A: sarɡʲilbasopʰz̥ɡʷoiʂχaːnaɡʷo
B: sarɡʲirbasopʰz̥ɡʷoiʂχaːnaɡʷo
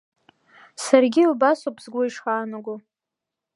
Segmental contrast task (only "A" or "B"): A